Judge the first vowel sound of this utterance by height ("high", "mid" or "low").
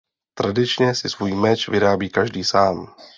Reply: low